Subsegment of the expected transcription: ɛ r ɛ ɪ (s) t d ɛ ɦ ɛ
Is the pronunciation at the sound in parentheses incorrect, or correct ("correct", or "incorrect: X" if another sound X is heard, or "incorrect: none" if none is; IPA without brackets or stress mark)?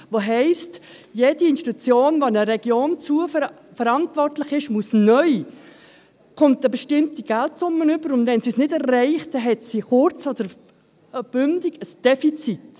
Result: incorrect: χ